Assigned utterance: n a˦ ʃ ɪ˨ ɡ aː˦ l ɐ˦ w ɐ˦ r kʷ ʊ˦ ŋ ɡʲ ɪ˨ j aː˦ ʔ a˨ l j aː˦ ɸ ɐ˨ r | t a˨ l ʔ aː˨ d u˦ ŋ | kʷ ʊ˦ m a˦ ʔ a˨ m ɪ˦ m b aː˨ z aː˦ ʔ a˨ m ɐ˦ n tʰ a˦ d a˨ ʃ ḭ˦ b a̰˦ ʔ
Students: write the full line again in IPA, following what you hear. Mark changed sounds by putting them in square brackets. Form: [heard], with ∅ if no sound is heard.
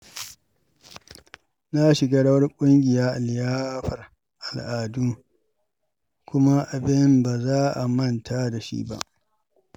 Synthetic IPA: n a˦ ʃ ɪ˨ ɡ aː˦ [ɽ] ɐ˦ w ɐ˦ r [kʷʼ] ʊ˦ ŋ ɡʲ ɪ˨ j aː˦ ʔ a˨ l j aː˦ ɸ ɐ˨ r | [ʔ] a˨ l ʔ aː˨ d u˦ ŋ | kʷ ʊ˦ m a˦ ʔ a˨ [b] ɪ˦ m b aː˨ z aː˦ ʔ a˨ m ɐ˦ n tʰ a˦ d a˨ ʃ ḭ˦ b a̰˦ ʔ